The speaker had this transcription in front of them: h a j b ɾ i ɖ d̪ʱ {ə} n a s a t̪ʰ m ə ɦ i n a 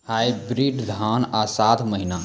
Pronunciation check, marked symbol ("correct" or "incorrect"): incorrect